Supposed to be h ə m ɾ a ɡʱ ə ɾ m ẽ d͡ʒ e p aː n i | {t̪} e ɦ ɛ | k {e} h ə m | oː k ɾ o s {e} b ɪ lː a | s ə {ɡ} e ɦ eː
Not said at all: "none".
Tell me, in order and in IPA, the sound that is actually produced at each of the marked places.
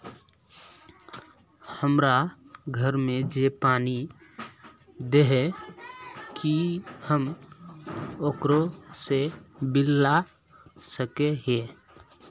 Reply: d̪, i, e, k

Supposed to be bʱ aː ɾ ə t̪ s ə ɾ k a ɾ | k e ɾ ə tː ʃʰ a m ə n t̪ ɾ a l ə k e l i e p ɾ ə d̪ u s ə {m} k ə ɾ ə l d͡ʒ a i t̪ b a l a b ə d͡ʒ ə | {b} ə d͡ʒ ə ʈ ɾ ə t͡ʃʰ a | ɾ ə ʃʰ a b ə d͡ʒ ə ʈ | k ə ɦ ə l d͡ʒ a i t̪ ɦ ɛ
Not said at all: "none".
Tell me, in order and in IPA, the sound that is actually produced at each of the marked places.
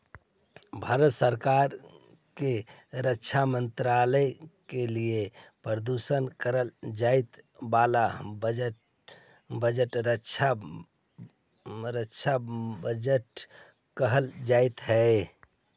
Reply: n, b

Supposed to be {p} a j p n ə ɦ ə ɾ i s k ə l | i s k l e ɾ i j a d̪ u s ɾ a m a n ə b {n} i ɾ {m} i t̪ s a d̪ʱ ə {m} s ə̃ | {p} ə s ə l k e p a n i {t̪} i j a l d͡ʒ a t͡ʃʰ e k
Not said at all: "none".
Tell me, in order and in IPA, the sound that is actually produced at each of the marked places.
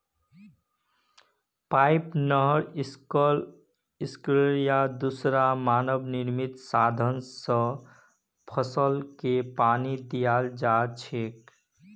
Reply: p, n, m, n, pʰ, d̪

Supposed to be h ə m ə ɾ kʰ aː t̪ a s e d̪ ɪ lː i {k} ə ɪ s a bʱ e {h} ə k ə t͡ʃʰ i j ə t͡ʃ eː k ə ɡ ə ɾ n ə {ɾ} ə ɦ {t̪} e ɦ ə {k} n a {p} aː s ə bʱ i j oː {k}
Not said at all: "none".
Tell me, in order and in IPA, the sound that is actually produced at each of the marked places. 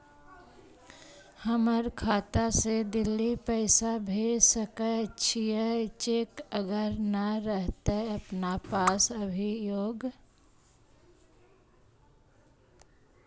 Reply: p, s, ɾ, t̪, p, p, ɡ

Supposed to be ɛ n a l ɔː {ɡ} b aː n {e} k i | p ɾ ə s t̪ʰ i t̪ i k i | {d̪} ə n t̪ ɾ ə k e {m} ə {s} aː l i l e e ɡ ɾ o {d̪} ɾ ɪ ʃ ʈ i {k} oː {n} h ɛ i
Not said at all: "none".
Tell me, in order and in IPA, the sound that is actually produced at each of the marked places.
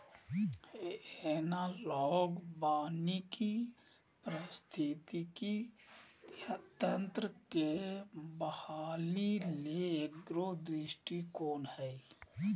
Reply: ɡ, i, t̪, b, h, d̪, k, n

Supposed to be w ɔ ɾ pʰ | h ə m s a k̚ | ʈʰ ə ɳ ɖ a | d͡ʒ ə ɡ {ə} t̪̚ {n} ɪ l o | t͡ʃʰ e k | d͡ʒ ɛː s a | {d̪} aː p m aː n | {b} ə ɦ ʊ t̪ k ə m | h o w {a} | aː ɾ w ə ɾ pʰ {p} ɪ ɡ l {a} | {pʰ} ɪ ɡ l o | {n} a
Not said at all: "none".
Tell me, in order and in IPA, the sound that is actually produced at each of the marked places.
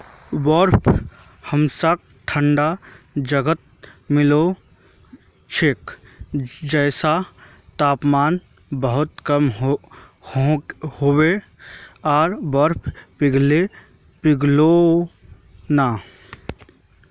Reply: ə, m, t̪, b, e, p, e, p, n

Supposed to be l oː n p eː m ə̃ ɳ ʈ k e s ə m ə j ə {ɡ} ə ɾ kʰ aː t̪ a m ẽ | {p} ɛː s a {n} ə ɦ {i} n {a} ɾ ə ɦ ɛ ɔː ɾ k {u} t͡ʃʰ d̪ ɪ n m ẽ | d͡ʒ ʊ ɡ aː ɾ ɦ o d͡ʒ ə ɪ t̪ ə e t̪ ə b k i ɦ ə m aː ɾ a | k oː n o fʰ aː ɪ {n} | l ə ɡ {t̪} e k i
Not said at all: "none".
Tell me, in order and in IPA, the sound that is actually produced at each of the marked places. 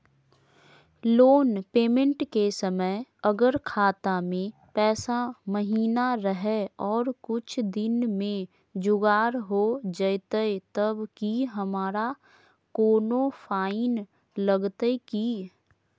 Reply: ɡ, p, m, iː, a, ʊ, n, t̪

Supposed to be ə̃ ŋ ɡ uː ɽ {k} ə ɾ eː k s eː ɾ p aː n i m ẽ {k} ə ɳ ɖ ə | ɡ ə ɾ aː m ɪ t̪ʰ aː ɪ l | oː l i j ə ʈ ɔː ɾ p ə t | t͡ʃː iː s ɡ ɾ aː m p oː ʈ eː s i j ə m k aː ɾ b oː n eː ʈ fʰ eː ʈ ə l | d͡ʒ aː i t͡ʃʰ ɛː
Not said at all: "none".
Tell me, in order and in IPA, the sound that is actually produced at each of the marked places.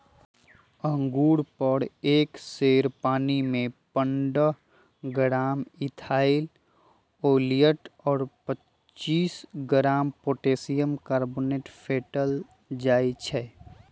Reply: p, p

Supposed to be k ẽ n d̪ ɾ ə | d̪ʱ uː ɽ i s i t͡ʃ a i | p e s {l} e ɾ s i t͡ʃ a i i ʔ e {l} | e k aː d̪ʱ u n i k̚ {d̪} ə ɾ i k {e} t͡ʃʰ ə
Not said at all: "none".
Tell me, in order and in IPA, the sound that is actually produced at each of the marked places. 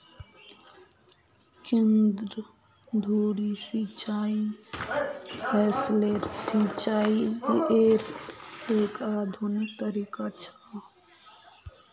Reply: l, ɾ, t̪, a

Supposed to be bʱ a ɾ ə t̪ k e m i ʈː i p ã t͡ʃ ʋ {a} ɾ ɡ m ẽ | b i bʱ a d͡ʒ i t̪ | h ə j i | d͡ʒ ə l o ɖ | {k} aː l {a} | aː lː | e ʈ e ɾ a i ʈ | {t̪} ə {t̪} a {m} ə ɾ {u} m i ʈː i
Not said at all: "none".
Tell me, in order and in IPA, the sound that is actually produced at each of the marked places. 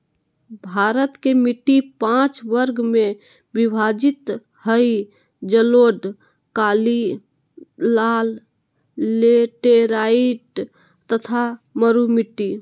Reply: ə, k, i, t̪, t̪ʰ, m, u

